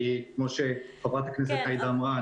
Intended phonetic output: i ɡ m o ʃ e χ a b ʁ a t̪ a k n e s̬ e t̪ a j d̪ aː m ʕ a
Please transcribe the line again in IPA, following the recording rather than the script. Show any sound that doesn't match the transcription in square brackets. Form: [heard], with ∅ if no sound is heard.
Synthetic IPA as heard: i [k] m o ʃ e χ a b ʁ a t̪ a k n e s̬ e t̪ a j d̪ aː m [ʁ] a